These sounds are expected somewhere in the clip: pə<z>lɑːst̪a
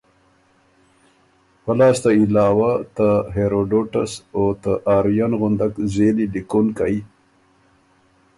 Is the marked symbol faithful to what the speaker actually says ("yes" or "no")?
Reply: no